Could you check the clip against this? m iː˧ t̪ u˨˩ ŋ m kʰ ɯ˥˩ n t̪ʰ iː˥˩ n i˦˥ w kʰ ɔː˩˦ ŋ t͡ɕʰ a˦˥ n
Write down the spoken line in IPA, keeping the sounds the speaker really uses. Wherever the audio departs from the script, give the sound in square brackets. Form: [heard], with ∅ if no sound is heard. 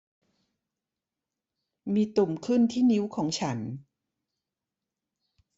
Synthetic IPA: m iː˧ t̪ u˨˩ [∅] m kʰ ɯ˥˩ n t̪ʰ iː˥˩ n i˦˥ w kʰ ɔː˩˦ ŋ t͡ɕʰ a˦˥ n